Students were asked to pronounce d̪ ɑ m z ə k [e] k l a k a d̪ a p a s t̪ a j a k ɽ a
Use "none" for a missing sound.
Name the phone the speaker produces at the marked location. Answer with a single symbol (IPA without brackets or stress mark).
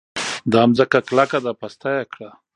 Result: a